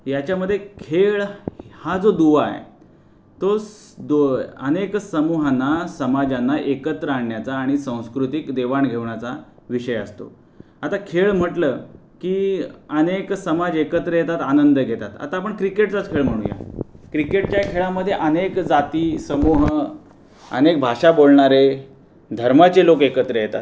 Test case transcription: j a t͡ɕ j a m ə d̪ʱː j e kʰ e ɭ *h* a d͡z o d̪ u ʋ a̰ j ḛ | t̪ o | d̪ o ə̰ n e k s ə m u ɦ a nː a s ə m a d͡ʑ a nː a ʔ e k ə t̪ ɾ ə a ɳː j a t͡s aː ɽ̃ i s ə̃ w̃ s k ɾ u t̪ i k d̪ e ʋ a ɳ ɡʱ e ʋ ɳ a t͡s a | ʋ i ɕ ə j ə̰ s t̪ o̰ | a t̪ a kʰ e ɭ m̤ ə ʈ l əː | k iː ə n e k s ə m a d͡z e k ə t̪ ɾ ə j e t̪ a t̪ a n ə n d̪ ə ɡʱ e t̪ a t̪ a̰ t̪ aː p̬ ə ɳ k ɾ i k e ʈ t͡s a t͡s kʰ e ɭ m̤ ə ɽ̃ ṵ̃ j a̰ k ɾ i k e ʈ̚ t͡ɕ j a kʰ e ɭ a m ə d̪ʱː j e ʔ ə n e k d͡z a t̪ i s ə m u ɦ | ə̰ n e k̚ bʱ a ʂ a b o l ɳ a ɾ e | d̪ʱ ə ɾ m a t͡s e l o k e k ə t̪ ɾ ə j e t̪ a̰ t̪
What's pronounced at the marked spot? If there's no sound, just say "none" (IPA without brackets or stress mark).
h